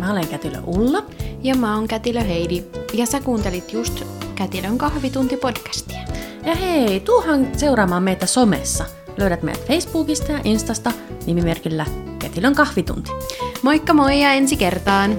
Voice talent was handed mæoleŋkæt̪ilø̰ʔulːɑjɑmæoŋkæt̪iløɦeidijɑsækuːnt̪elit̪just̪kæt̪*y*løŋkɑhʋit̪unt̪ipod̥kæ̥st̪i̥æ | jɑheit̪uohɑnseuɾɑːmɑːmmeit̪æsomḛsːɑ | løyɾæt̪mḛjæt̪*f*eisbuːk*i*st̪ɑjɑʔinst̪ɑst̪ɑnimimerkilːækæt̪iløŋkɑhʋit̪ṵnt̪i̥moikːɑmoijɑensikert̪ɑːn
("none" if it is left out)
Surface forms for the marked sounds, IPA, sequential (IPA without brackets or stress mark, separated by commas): i, f, i